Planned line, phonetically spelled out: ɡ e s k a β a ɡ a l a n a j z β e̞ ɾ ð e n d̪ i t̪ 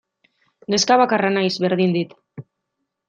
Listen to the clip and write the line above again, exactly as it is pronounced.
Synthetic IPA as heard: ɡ e s k a β a k a r a n a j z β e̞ ɾ ð i n d̪ i t̪